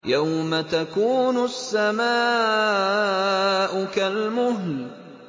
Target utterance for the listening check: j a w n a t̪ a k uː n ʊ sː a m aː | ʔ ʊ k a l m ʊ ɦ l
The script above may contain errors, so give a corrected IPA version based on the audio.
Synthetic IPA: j a w m a t̪ a k uː n ʊ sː a m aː | ʔ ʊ k a l m ʊ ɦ l